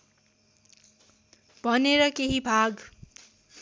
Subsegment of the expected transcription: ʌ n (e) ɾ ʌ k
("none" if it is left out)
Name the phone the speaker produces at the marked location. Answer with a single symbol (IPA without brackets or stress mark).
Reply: e